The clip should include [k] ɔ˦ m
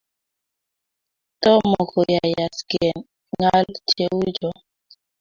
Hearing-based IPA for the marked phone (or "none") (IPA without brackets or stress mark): t